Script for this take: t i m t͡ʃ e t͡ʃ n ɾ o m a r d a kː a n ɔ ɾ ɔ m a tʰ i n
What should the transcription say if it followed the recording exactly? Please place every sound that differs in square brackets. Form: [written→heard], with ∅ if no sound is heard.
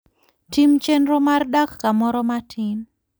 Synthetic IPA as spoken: t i m t͡ʃ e [t͡ʃ→∅] n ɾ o m a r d a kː a [n→m] ɔ ɾ ɔ m a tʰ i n